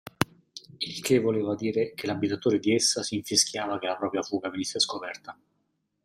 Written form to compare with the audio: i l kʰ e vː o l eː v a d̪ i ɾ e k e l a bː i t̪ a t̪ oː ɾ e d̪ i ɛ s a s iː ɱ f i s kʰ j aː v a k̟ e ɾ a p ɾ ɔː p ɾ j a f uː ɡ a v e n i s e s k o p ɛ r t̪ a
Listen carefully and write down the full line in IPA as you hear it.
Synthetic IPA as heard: i l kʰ e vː o l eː v a d̪ iː ɾ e k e l a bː i t̪ a t̪ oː ɾ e d̪ i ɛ sː a s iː ɱ f i s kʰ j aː v a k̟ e l a p ɾ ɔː p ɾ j a f uː ɡ a v e n i sː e s k o p ɛ r t̪ a